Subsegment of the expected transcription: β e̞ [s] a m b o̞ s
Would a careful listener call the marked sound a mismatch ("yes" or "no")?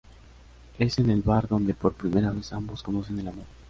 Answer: no